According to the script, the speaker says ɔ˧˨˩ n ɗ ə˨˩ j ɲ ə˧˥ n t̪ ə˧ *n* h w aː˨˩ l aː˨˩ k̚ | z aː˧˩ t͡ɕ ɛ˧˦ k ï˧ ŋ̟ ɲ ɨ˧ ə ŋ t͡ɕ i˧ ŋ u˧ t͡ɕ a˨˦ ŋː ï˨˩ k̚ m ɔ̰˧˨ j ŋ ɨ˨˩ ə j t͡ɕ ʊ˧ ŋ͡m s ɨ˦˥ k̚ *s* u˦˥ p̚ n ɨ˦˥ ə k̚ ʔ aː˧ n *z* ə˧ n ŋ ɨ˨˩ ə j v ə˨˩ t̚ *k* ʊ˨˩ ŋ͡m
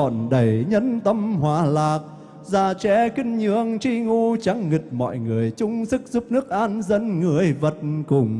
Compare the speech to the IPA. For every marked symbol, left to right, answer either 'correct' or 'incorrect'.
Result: incorrect, incorrect, correct, correct

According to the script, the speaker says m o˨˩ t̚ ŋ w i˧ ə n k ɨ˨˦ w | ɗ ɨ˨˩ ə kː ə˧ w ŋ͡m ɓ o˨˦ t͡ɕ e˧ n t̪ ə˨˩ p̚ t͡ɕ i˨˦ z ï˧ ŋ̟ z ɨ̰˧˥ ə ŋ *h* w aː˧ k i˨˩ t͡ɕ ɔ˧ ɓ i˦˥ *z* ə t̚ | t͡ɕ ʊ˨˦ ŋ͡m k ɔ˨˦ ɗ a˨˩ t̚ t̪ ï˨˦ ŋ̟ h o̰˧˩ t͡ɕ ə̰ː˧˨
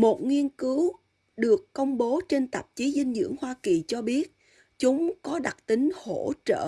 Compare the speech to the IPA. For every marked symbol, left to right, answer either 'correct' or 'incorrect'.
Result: correct, incorrect

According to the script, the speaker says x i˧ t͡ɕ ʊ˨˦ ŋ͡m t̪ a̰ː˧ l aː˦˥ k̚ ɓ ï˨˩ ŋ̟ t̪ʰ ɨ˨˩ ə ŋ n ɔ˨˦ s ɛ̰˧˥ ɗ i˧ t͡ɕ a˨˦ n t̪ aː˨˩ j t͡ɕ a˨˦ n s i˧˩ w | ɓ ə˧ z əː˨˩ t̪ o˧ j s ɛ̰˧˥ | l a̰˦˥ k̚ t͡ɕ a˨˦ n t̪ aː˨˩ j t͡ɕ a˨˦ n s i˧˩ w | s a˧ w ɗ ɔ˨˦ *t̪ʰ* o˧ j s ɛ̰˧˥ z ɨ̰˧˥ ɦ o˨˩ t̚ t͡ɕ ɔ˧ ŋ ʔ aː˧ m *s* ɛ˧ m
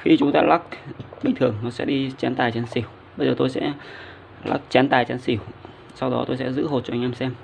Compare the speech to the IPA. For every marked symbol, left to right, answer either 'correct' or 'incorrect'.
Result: incorrect, correct

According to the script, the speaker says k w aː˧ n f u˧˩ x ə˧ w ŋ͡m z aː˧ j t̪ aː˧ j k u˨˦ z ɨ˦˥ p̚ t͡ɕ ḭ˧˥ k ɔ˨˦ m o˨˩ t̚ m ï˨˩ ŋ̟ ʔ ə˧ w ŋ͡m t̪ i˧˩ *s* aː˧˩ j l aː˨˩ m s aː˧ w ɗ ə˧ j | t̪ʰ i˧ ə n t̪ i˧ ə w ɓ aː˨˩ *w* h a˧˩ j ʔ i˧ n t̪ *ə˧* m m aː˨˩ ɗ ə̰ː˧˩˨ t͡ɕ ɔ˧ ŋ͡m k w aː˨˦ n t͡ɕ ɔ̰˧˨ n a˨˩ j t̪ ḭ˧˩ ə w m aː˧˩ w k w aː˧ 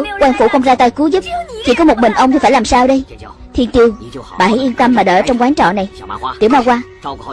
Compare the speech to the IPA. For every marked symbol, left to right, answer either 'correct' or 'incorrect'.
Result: incorrect, incorrect, correct

